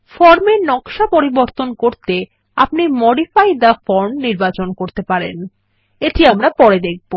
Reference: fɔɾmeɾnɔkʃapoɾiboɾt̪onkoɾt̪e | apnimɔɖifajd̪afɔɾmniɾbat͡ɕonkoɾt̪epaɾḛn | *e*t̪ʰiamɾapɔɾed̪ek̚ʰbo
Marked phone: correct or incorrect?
correct